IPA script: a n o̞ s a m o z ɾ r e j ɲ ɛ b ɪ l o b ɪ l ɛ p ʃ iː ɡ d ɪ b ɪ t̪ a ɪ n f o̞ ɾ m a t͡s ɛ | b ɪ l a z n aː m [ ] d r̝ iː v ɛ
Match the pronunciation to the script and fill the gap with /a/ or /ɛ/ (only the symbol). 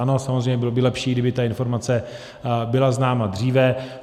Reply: a